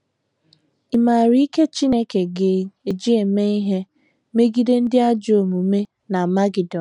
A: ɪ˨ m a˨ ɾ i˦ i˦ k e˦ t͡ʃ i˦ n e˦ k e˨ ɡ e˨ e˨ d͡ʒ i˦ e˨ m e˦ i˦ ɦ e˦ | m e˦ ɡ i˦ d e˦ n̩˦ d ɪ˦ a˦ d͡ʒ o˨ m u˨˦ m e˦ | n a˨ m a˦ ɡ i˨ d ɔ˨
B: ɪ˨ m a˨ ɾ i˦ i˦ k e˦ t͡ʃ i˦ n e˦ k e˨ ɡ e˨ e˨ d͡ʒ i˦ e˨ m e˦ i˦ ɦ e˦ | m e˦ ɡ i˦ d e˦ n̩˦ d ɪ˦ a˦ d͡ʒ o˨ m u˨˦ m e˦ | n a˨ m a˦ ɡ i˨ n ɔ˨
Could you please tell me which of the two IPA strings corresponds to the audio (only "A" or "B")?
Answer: A